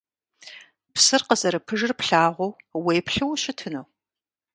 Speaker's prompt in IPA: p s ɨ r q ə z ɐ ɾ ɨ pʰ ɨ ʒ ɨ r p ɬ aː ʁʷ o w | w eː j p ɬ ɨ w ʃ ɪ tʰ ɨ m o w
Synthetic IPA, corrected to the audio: p s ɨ r q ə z ɐ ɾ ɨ pʰ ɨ ʒ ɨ r p ɬ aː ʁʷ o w | w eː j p ɬ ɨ w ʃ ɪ tʰ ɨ n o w